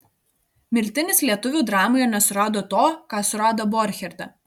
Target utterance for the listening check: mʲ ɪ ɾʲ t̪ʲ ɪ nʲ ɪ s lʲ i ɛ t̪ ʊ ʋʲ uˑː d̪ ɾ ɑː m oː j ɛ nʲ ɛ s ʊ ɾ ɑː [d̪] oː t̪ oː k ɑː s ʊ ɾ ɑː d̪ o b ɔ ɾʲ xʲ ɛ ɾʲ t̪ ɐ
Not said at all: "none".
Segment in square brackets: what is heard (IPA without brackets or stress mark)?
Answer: d̪